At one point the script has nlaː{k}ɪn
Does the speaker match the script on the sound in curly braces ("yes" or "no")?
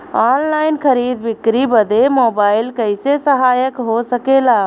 no